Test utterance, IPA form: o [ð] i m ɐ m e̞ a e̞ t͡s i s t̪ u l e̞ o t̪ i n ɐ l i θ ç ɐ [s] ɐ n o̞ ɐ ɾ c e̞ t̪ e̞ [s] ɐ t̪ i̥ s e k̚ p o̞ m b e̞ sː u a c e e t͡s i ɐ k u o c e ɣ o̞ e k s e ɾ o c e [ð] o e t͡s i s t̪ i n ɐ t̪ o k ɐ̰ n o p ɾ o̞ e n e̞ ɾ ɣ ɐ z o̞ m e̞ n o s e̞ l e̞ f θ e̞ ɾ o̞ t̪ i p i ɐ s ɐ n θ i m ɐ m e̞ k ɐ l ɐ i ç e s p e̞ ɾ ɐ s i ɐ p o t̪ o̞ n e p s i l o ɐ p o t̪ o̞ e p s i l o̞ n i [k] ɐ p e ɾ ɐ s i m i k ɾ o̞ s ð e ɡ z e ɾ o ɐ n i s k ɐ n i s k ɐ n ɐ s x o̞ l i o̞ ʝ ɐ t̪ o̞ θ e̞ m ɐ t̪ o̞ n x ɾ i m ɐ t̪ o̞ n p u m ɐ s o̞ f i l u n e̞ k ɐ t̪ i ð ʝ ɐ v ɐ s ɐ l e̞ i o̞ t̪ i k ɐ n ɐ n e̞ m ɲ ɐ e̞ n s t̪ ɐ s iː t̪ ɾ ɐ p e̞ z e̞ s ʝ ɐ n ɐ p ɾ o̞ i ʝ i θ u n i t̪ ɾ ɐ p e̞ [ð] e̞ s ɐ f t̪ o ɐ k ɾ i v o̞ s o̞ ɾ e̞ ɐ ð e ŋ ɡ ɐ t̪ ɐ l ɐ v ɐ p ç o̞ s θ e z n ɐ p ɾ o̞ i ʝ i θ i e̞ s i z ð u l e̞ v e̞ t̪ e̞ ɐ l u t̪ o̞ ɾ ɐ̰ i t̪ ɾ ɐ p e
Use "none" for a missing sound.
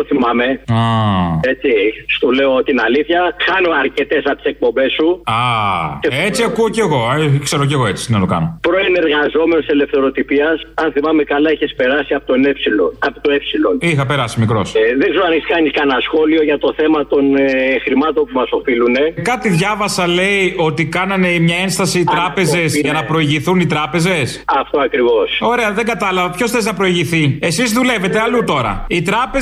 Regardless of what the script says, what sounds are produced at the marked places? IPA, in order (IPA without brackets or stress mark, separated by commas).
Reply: θ, x, s, ɣ, x, z